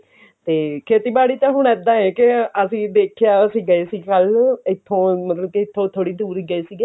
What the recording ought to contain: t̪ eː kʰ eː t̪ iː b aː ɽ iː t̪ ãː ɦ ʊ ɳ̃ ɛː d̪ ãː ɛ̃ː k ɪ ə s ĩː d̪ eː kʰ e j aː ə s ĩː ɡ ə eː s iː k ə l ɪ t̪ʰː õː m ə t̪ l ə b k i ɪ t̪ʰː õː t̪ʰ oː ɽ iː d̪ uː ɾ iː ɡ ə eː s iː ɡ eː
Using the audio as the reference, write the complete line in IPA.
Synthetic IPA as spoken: t̪ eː kʰ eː t̪ iː b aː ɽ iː t̪ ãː ɦ ʊ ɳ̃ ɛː d̪ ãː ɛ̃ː k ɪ ə s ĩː d̪ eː kʰ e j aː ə s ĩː ɡ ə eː s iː k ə l ɪ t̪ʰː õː m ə t̪ l ə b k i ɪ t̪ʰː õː t̪ʰ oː ɽ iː d̪ uː ɾ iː ɡ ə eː s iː ɡ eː

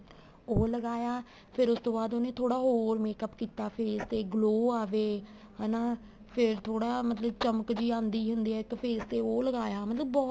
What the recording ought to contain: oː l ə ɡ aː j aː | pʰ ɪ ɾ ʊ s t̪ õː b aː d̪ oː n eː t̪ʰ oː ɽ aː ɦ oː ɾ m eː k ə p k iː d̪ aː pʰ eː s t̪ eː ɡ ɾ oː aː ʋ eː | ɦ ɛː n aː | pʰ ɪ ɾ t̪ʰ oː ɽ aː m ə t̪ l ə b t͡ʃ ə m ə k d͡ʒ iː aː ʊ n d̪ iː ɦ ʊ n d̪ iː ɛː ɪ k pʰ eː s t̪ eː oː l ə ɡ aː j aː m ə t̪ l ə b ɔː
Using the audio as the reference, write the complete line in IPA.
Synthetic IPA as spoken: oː l ə ɡ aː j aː | pʰ ɪ ɾ ʊ s t̪ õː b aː d̪ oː n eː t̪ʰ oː ɽ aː ɦ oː ɾ m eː k ə p k iː t̪ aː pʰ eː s t̪ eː ɡ l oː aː ʋ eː | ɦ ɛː n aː | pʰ ɪ ɾ t̪ʰ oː ɽ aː m ə t̪ l ə b t͡ʃ ə m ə k d͡ʒ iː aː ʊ n d̪ iː ɦ ʊ n d̪ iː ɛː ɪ k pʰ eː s t̪ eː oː l ə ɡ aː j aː m ə t̪ l ə b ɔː

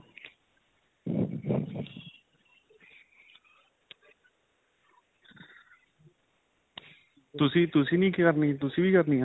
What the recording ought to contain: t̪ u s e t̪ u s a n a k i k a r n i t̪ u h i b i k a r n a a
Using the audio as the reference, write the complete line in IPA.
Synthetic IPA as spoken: t̪ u s i t̪ u s i n i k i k a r n i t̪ u s i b i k a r n i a

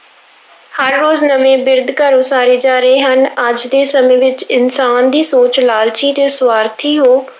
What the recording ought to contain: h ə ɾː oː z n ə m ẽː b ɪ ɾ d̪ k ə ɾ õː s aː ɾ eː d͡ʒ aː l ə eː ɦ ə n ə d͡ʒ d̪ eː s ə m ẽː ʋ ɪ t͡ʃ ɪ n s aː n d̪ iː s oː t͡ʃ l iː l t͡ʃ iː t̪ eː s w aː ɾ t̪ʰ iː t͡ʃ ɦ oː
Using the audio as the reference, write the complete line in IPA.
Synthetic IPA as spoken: h ə ɾː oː z n ə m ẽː b ɪ ɾ d̪ k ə ɾ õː s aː ɾ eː d͡ʒ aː ɾ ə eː ɦ ə n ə d͡ʒ d̪ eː s ə m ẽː ʋ ɪ t͡ʃ ɪ n s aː n d̪ iː s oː t͡ʃ l aː l t͡ʃ iː t̪ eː s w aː ɾ t̪ʰ iː ɦ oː

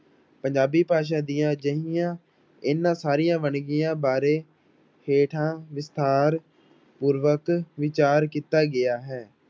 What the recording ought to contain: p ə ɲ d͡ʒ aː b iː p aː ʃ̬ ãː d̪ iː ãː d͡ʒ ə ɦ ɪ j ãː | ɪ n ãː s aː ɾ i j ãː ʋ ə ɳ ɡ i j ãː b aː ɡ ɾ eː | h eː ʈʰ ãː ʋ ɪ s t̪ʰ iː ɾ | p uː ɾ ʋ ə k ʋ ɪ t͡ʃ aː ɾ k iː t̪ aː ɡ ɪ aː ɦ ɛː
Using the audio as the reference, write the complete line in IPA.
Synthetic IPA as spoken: p ə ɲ d͡ʒ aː b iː p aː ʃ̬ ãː d̪ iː ãː d͡ʒ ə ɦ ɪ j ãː | ɪ n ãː s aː ɾ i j ãː ʋ ə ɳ ɡ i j ãː b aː ɾ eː | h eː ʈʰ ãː ʋ ɪ s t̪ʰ aː ɾ | p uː ɾ ʋ ə k ʋ ɪ t͡ʃ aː ɾ k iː t̪ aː ɡ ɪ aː ɦ ɛː

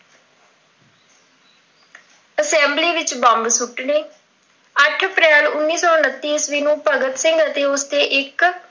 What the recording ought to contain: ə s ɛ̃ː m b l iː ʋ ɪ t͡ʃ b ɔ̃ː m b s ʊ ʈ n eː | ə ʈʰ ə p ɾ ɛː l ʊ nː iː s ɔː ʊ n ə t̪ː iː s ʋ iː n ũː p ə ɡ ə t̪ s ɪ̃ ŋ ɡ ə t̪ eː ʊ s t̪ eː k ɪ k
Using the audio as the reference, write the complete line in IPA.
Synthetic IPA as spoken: ə s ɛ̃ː m b l iː ʋ ɪ t͡ʃ b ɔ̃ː m b s ʊ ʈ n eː | ə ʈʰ ə p ɾ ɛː l ʊ nː iː s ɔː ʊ n ə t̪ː iː s ʋ iː n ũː p ə ɡ ə t̪ s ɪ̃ ŋ ɡ ə t̪ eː ʊ s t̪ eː ʔ ɪ k

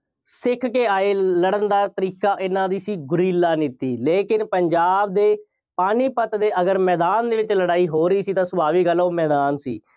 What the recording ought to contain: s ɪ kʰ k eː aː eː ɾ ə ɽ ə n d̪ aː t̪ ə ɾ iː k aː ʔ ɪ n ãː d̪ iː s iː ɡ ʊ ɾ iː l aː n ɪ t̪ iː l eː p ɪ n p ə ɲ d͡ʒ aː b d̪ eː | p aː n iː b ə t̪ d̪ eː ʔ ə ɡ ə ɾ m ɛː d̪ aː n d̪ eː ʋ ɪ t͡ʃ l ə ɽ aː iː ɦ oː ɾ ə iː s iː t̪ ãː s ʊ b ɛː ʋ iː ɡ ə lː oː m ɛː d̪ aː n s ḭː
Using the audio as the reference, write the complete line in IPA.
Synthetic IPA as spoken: s ɪ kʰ k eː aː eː l ə ɽ ə n d̪ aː t̪ ə ɾ iː k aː ʔ ɪ n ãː d̪ iː s iː ɡ ʊ ɾ iː l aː n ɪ t̪ iː l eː k ɪ n p ə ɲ d͡ʒ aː b d̪ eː | p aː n iː p ə t̪ d̪ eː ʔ ə ɡ ə ɾ m ɛː d̪ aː n d̪ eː ʋ ɪ t͡ʃ l ə ɽ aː iː ɦ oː ɾ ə iː s iː t̪ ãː s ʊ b aː ʋ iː ɡ ə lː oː m ɛː d̪ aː n s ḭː

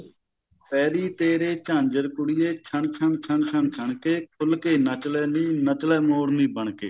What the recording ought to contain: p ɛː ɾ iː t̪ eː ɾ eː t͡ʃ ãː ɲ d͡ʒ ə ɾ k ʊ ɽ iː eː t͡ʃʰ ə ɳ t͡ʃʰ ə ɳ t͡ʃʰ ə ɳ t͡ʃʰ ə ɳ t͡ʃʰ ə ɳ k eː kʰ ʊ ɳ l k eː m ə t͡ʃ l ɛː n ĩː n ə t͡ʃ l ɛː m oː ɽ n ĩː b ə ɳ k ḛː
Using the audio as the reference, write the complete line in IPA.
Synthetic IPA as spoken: p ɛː ɾ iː t̪ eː ɾ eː t͡ʃ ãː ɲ d͡ʒ ə ɾ k ʊ ɽ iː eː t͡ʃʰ ə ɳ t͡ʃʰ ə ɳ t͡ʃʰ ə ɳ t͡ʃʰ ə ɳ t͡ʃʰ ə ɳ k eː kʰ ʊ l k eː n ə t͡ʃ l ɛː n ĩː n ə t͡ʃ l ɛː m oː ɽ n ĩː b ə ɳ k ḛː

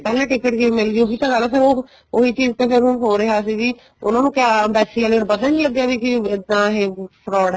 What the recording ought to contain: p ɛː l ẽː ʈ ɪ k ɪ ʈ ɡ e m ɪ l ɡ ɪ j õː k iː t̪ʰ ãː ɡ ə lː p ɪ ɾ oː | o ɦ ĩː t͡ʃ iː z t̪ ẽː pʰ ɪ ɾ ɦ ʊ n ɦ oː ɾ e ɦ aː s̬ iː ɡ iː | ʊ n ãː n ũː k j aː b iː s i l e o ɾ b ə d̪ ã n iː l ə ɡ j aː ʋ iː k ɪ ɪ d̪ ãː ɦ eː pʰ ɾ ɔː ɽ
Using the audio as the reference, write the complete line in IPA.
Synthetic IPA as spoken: p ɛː l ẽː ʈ ɪ k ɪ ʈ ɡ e m ɪ l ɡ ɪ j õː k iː t̪ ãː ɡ ə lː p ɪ ɾ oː | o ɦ iː t͡ʃ iː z t̪ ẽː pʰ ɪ ɾ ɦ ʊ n ɦ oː ɾ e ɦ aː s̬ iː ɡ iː | ʊ n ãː n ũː k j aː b ɛː s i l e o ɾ b ə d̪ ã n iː l ə ɡ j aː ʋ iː k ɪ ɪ d̪ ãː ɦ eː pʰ ɾ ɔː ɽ

